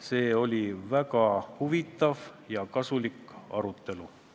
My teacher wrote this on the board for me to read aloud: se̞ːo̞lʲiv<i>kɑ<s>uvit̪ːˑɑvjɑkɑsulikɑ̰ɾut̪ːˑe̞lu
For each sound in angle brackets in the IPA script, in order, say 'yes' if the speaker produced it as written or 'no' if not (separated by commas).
no, no